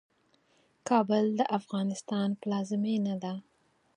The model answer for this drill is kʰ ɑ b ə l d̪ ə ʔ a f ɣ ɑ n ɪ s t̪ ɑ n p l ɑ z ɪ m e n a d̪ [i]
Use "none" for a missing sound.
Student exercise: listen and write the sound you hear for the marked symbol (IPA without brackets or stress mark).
a